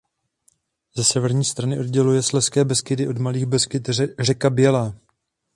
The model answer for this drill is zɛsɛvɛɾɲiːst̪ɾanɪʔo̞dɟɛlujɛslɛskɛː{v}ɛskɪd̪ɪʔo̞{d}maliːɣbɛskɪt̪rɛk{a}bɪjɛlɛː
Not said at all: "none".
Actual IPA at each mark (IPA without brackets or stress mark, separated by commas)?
b, d, a